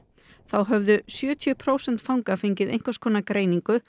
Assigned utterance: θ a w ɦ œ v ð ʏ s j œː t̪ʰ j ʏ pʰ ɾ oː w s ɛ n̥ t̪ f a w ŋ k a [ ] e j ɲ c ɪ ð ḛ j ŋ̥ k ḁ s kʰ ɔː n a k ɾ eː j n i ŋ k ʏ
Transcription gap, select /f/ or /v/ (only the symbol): f